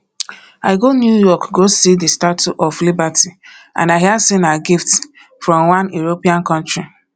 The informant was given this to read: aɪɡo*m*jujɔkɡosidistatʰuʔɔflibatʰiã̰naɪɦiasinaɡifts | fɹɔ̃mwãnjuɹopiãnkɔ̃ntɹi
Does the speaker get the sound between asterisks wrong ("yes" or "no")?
yes